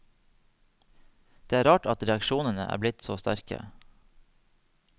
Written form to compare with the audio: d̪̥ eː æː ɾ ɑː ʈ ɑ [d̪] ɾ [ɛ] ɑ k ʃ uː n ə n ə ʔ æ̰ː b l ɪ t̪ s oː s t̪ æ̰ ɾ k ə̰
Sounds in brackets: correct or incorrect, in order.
incorrect: t̪, correct

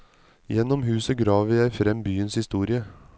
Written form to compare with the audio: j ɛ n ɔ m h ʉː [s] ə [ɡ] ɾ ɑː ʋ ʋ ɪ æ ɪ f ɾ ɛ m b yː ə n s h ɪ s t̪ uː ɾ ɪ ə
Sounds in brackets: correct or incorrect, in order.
correct, correct

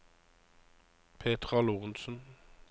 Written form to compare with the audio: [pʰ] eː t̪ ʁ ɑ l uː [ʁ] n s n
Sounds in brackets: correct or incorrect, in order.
correct, correct

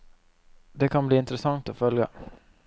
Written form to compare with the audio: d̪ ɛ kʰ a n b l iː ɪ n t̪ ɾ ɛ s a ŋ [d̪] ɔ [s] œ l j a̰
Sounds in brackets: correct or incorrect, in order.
incorrect: t̪, incorrect: f

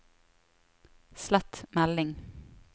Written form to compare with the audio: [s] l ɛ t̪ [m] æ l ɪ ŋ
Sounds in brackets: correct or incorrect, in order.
correct, correct

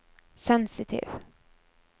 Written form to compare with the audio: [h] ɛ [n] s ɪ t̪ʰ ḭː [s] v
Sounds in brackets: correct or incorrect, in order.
incorrect: s, correct, incorrect: none

